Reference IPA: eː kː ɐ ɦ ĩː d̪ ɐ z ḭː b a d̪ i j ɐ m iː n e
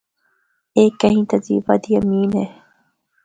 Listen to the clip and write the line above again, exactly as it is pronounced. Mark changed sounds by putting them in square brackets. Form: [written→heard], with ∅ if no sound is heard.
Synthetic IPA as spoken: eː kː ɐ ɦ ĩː [d̪→t̪] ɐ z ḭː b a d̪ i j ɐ m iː n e

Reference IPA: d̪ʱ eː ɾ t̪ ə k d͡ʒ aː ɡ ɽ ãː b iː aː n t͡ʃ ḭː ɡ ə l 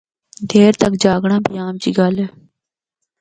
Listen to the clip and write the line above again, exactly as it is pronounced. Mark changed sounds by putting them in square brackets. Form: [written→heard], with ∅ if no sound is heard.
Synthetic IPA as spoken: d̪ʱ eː ɾ t̪ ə k d͡ʒ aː ɡ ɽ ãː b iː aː [n→m] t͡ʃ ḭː ɡ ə l

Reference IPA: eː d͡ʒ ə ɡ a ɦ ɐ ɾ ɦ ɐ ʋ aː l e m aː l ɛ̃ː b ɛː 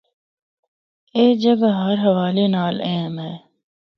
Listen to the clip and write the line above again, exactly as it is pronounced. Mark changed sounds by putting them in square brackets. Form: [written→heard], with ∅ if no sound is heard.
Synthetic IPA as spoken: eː d͡ʒ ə ɡ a ɦ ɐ ɾ ɦ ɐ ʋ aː l e [m→n] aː l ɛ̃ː [b→m] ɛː

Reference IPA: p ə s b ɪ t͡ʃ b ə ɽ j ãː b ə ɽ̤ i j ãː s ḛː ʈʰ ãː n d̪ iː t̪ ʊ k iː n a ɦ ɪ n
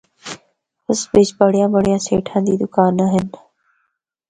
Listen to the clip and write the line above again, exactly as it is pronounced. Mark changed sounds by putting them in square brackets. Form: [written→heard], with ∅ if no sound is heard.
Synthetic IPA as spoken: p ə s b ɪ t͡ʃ b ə ɽ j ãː b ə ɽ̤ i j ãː s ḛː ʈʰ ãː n d̪ iː [t̪→d̪] ʊ k [iː→aː] n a ɦ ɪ n

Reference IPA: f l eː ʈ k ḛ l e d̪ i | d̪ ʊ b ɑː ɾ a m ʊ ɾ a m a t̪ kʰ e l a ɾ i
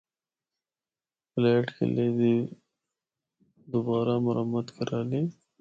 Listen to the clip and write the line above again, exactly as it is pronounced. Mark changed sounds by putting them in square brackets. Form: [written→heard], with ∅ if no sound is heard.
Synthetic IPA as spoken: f l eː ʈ k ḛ l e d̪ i | d̪ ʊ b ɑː ɾ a m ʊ ɾ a m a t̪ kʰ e [l→ɾ] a [ɾ→l] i

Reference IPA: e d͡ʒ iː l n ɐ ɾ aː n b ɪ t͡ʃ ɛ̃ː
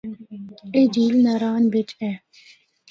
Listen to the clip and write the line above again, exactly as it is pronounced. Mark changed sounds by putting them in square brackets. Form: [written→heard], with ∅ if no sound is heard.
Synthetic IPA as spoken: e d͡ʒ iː l n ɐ ɾ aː n b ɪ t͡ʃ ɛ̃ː

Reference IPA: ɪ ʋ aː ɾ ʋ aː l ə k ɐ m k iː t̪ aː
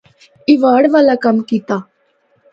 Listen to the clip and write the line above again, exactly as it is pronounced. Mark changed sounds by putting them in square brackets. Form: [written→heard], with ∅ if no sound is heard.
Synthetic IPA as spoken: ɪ ʋ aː [ɾ→ɽ] ʋ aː l [ə→a] k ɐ m k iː t̪ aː

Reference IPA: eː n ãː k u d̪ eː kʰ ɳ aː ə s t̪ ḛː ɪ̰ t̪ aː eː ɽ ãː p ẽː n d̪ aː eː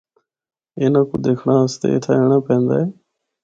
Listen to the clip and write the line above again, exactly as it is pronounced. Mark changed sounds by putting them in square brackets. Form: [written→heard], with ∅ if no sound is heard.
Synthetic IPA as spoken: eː n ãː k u d̪ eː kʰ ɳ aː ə s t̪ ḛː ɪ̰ [t̪→t̪ʰ] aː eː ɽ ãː p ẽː n d̪ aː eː

